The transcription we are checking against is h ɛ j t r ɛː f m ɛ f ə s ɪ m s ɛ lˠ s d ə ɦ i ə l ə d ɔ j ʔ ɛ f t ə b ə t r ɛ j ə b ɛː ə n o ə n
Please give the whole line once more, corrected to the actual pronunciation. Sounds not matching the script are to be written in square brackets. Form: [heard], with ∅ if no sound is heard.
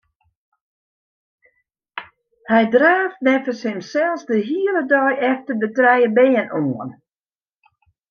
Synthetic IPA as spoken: h ɛ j [d] r [aː] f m ɛ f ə s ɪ m s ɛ lˠ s d ə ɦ i ə l ə d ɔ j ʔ ɛ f t ə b ə t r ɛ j ə b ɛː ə n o ə n